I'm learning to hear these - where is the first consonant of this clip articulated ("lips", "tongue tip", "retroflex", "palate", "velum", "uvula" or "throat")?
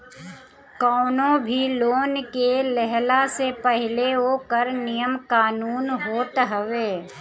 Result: velum